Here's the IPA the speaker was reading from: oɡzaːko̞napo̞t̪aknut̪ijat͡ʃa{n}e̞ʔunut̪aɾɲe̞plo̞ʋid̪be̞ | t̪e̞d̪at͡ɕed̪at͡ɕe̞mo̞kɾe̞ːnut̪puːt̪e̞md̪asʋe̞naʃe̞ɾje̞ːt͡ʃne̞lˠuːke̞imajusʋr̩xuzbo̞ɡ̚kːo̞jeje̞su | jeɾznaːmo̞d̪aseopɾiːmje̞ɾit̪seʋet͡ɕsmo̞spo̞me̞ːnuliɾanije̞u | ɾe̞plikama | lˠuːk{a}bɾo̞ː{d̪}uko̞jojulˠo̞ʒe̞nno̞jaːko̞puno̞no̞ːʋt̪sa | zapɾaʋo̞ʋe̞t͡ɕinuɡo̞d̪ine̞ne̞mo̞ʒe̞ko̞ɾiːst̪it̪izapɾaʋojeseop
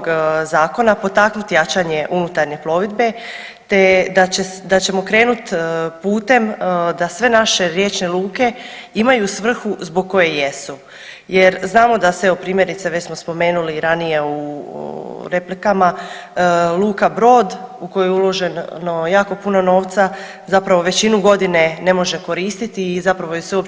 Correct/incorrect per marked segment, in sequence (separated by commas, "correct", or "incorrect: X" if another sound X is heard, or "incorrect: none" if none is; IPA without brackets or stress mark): incorrect: ɲ, correct, correct